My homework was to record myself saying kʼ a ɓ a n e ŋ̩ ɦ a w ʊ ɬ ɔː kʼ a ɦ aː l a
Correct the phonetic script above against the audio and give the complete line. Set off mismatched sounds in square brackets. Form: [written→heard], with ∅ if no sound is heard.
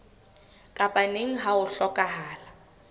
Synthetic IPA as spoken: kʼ a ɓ a n e ŋ̩ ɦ a w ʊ ɬ [ɔː→ɔ] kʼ a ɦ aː l a